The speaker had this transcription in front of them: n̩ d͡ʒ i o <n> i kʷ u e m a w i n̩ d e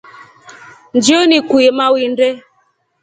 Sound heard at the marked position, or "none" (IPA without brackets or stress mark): n